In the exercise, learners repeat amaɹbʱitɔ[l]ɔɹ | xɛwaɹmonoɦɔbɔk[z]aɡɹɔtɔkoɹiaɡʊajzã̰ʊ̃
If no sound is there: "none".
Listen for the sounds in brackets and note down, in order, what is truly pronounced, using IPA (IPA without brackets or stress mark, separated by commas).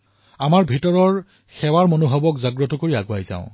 ɹ, z